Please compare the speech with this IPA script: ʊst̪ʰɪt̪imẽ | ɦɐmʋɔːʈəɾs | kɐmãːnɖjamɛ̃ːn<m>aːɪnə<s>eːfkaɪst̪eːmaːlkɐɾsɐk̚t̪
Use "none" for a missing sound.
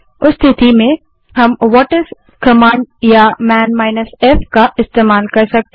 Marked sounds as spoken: m, s

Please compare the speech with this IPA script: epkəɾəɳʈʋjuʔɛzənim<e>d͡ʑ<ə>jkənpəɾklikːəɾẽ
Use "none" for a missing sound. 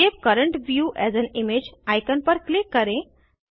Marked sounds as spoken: e, a

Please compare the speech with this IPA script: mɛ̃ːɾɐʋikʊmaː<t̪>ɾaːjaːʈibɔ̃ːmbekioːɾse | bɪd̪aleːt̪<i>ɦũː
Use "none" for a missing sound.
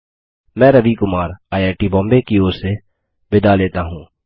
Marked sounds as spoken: none, a

